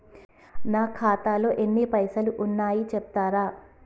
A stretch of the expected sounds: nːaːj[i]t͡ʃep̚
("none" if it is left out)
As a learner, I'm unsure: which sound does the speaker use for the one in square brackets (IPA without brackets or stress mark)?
i